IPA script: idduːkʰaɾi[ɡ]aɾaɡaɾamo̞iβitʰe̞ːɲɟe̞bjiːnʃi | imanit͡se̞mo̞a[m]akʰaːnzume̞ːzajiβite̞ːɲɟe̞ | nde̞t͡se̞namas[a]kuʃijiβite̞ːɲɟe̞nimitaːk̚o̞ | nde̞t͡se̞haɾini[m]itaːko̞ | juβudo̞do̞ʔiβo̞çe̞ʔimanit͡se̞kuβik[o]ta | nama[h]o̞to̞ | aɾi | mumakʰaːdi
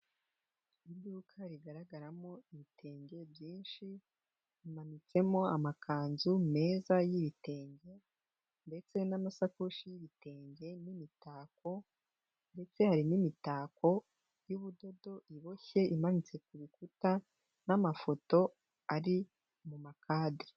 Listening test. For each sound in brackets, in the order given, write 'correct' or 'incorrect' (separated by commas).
correct, correct, correct, correct, incorrect, incorrect